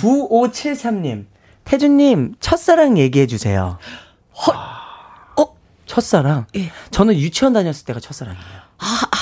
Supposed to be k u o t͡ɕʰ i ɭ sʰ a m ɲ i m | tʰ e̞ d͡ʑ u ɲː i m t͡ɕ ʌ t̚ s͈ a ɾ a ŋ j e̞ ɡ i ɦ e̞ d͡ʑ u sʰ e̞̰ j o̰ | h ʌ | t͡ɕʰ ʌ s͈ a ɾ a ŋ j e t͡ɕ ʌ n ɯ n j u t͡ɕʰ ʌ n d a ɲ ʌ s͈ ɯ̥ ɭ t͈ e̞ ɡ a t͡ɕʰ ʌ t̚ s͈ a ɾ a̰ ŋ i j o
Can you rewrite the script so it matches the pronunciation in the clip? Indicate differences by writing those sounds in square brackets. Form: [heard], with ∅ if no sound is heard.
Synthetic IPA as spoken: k u o t͡ɕʰ i ɭ sʰ a m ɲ i m | tʰ e̞ d͡ʑ u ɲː i m [t͡ɕʰ] ʌ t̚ s͈ a ɾ a ŋ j e̞ ɡ i ɦ e̞ d͡ʑ u sʰ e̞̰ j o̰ | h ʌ | t͡ɕʰ ʌ s͈ a ɾ a ŋ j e t͡ɕ ʌ n ɯ n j u t͡ɕʰ ʌ n d a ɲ ʌ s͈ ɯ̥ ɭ t͈ e̞ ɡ a t͡ɕʰ ʌ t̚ s͈ a ɾ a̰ ŋ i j o